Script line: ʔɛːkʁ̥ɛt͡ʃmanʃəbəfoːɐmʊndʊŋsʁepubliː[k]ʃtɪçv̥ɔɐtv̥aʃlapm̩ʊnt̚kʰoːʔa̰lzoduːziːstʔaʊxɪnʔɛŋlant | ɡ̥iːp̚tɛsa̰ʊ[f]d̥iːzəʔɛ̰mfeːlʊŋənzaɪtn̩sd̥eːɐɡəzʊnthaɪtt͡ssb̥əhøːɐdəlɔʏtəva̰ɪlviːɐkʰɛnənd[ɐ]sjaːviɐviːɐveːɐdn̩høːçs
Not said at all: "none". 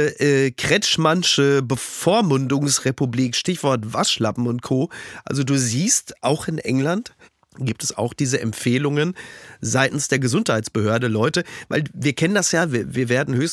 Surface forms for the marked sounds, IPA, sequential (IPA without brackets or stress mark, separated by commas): k, x, a